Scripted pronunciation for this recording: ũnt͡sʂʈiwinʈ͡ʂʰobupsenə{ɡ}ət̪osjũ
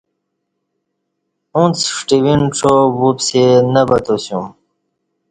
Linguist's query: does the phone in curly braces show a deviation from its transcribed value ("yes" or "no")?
yes